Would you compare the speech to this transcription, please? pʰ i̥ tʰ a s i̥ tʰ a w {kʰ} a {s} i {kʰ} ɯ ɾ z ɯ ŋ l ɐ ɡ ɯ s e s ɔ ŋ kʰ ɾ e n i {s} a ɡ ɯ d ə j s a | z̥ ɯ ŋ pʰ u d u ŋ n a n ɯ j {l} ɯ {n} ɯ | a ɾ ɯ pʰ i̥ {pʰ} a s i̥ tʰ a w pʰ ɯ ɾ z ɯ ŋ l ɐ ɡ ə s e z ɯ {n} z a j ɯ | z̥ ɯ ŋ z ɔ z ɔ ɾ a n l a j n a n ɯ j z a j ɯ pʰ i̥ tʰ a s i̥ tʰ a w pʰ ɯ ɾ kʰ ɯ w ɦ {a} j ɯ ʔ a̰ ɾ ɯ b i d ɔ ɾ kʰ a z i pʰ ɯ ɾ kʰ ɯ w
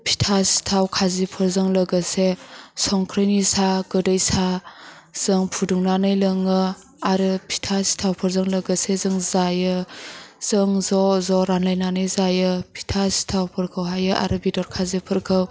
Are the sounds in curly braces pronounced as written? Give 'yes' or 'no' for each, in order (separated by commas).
yes, no, no, yes, yes, no, no, no, yes